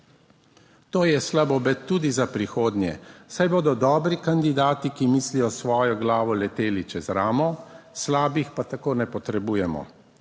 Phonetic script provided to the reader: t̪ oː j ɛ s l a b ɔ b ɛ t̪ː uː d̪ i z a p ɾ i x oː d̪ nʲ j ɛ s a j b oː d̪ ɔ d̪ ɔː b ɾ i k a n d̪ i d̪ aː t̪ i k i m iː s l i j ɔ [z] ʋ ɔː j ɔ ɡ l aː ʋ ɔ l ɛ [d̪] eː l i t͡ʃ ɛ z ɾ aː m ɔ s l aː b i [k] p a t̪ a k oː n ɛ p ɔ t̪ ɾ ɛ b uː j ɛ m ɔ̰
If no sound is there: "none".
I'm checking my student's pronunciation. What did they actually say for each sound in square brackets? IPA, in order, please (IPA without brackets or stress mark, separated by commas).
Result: s, t̪, x